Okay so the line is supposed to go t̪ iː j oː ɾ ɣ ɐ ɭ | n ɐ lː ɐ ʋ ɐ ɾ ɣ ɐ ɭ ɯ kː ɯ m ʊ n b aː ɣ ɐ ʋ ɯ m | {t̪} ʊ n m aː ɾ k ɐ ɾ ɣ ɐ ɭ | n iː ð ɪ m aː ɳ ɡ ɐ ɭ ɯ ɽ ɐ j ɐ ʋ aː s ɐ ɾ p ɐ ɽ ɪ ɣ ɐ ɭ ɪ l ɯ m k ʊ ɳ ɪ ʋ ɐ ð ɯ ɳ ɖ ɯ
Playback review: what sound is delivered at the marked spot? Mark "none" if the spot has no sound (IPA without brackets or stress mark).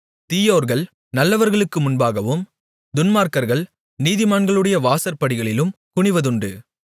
d̪